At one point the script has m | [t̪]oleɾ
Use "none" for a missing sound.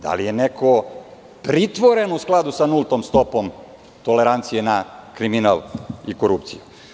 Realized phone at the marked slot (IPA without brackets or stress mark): t̪